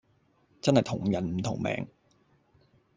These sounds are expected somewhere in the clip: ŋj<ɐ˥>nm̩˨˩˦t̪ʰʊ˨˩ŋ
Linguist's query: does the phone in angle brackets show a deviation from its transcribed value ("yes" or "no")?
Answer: yes